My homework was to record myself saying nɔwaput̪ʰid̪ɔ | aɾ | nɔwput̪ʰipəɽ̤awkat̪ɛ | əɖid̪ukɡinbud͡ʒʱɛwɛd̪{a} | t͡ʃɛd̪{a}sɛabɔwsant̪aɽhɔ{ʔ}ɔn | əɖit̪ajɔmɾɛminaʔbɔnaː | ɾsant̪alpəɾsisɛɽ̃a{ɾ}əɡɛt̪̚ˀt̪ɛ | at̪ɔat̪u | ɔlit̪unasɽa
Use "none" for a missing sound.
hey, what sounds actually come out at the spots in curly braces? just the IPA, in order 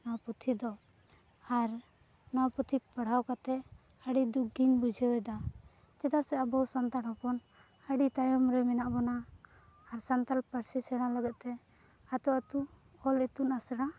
a, a, p, l

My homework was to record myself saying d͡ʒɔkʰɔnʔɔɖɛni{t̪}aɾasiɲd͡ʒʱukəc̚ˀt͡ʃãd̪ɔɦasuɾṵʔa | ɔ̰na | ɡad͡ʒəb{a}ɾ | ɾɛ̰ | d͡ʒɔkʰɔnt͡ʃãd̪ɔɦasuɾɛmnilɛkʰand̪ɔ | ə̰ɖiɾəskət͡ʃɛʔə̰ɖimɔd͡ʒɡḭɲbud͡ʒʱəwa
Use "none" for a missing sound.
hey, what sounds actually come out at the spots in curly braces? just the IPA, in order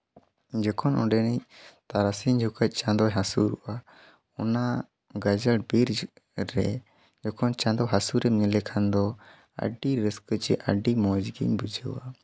t̪, i

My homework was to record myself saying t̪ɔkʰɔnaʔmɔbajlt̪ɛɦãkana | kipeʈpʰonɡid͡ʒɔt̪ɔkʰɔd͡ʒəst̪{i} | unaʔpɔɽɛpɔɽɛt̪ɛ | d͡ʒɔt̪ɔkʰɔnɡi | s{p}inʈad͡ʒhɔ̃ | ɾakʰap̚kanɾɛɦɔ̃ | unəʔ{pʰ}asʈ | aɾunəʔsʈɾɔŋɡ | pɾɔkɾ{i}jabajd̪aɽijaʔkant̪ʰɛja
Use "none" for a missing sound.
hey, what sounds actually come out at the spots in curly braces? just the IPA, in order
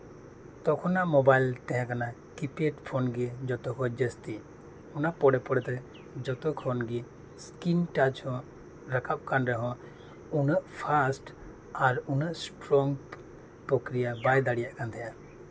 i, k, pʰ, i

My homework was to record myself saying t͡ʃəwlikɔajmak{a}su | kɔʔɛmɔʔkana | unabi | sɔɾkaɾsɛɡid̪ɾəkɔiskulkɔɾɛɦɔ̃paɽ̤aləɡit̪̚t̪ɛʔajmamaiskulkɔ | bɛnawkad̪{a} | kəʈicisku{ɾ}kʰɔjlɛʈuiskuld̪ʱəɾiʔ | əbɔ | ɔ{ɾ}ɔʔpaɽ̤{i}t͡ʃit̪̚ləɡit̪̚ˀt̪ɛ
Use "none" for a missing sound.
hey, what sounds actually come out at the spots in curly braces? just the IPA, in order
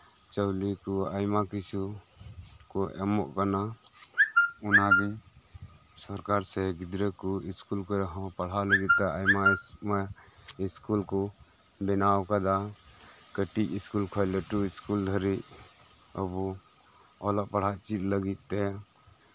i, a, l, l, a

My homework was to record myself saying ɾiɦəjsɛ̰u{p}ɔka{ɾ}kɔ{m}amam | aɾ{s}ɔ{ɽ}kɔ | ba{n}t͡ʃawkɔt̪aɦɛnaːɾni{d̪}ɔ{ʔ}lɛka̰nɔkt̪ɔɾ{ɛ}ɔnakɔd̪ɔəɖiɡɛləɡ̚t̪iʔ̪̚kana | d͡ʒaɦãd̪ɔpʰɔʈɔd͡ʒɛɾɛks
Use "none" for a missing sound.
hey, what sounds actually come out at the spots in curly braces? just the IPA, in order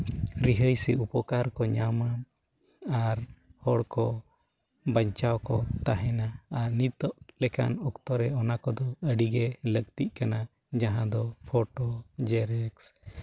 p, ɾ, ɲ, h, ɽ, ɲ, t̪, ʔ, ɛ

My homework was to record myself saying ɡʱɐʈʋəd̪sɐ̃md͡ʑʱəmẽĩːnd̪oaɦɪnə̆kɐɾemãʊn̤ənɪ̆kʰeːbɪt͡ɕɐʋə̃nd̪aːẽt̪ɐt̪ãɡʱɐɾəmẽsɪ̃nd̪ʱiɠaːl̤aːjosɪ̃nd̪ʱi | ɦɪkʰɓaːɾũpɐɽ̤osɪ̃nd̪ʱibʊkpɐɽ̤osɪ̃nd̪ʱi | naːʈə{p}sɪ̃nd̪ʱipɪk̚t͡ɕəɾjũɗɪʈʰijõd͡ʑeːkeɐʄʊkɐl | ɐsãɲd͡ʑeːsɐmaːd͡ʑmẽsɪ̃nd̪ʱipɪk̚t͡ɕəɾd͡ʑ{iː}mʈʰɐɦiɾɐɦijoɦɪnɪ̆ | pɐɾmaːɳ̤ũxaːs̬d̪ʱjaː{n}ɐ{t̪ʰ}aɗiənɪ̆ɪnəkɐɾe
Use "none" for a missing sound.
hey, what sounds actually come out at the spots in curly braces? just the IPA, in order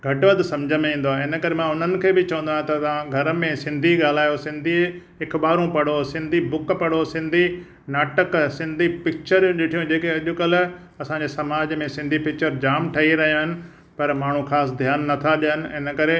k, aː, nː, t̪ʰ

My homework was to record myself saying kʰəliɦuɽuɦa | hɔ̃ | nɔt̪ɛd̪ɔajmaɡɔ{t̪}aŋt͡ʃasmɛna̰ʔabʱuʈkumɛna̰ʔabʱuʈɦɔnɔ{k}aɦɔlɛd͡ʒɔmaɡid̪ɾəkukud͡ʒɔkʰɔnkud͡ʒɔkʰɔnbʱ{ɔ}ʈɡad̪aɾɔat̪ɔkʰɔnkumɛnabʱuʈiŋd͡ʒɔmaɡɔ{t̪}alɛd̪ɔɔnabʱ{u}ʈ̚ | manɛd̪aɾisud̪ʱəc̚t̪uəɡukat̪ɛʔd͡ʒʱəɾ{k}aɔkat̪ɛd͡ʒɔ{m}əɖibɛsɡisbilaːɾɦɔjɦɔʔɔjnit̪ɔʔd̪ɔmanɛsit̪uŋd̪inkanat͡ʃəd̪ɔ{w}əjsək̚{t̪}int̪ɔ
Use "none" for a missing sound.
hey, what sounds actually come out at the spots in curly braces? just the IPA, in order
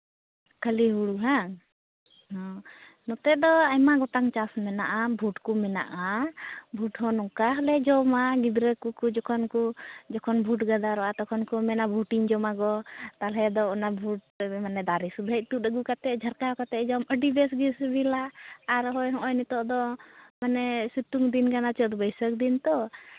t̪, k, u, t̪, u, k, m, b, d̪

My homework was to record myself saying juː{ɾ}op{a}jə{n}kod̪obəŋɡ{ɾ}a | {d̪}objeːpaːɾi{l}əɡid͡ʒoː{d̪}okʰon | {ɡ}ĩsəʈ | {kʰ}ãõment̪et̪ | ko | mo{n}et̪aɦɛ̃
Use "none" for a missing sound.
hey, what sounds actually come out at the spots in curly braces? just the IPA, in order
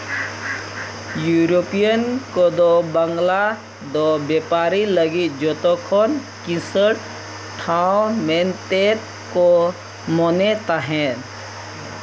ɾ, i, n, l, d̪, l, t̪, k, ʈʰ, n

